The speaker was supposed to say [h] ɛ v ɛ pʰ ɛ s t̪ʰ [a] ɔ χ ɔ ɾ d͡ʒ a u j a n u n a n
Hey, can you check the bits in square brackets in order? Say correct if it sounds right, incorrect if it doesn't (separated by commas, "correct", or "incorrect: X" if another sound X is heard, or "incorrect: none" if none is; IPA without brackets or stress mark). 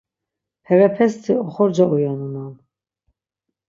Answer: correct, incorrect: i